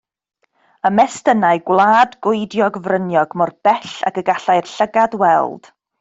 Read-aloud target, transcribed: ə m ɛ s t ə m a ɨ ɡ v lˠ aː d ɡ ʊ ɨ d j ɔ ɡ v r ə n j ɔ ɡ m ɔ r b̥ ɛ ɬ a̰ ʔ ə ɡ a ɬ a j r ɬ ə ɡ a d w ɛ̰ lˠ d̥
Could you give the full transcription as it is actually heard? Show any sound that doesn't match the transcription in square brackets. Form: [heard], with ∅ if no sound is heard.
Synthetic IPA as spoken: ə m ɛ s t ə [n] a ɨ ɡ [w] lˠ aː d ɡ ʊ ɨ d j ɔ ɡ v r ə n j ɔ ɡ m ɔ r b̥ ɛ ɬ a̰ [k] ə ɡ a ɬ a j r ɬ ə ɡ a d w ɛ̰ lˠ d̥